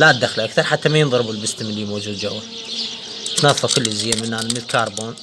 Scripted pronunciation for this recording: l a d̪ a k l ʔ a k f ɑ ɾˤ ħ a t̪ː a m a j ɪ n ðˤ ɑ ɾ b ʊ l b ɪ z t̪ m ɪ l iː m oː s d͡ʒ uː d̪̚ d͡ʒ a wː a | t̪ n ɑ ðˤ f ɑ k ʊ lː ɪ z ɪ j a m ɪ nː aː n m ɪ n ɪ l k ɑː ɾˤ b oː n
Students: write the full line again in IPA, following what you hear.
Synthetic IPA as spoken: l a d̪ a x l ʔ a k θ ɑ ɾˤ ħ a t̪ː a m a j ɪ n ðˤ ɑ ɾ b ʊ l b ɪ s t̪ m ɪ l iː m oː d͡ʒ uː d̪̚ d͡ʒ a wː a | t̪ n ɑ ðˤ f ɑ k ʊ lː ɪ z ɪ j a m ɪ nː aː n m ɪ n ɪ l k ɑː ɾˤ b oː n